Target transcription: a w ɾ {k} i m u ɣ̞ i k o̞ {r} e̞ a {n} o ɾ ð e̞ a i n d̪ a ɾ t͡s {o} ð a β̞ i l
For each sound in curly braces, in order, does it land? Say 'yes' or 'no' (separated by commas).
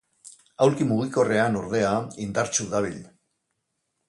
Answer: yes, yes, yes, no